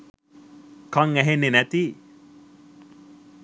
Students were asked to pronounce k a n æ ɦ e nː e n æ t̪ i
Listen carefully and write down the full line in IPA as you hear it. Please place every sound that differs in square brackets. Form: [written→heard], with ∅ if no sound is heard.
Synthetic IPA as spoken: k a [n→ŋ] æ ɦ e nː e n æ t̪ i